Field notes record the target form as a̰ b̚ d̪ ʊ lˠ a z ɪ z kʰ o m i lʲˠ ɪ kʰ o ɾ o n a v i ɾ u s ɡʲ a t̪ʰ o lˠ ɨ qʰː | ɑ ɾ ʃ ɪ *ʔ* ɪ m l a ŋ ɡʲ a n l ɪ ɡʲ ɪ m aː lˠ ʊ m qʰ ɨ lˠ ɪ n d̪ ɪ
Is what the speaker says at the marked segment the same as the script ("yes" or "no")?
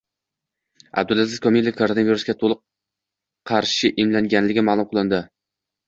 yes